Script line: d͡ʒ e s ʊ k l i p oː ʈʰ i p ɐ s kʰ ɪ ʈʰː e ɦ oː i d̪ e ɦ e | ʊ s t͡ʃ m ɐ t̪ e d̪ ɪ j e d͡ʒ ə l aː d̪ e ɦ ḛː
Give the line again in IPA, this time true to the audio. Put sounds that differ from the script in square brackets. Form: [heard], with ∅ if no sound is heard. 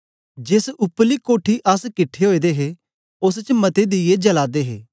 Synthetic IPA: d͡ʒ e s ʊ [p] l i [k] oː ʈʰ i [ʔ] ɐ s [k] ɪ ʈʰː e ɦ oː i d̪ e ɦ e | ʊ s t͡ʃ m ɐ t̪ e d̪ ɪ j e d͡ʒ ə l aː d̪ e ɦ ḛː